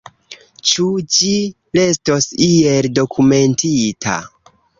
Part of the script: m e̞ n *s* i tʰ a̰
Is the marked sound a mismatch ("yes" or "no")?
yes